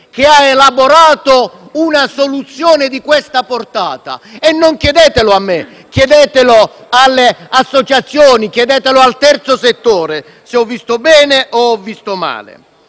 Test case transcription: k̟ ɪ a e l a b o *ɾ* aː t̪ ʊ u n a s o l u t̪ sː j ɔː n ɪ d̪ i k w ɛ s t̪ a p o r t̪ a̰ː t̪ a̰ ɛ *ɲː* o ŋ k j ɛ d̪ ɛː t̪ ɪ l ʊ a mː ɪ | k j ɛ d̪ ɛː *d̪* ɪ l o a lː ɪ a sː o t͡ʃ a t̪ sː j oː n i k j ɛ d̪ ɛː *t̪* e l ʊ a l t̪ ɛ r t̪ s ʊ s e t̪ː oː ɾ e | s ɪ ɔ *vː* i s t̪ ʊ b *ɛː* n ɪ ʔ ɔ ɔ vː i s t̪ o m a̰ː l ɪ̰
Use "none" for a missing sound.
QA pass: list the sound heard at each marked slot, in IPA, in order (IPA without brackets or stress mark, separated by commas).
ɾ, nː, t̪, t̪, vː, ɛː